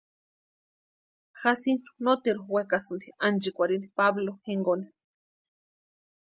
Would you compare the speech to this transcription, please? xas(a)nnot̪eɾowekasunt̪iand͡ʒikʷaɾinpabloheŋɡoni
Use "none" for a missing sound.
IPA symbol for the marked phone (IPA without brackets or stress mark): i